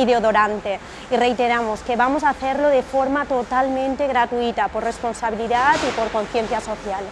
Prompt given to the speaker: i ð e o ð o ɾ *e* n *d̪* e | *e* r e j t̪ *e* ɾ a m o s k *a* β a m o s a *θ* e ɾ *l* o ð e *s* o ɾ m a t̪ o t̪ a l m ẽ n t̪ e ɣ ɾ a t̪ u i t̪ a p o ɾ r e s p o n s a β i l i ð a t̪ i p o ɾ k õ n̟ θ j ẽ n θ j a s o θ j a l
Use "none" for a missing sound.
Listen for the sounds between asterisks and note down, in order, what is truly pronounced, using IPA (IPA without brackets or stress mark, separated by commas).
a, t̪, i, e, e, θ, l, f